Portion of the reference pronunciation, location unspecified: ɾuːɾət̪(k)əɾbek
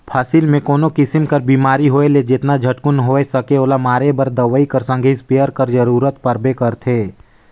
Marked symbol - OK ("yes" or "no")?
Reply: no